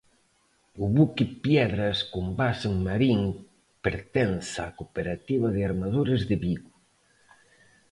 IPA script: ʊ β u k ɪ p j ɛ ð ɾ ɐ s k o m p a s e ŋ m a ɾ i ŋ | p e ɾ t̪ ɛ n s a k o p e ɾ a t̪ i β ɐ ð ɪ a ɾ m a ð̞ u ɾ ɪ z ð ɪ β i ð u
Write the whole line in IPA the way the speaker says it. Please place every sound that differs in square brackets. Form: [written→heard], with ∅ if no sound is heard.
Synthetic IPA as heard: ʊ β u k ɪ p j ɛ ð ɾ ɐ s k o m [p→b] a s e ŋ m a ɾ i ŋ | p e ɾ t̪ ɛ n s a k o p e ɾ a t̪ i β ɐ ð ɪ a ɾ m a ð̞ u ɾ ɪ z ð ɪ β i [ð→ɣ] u